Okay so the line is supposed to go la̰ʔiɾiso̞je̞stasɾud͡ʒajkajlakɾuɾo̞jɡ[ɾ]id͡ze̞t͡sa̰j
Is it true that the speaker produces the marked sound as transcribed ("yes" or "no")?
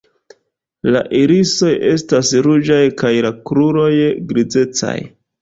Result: yes